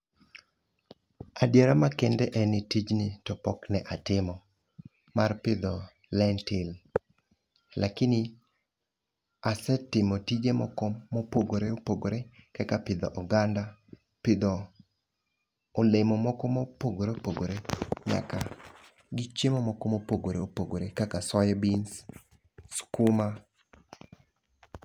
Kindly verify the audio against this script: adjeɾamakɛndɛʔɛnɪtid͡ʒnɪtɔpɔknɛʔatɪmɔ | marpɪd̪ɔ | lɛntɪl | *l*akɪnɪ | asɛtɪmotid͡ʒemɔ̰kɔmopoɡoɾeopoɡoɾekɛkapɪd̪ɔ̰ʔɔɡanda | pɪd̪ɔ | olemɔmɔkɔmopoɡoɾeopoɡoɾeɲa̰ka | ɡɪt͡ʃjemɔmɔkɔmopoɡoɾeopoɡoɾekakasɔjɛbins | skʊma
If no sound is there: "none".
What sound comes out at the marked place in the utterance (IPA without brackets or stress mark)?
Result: l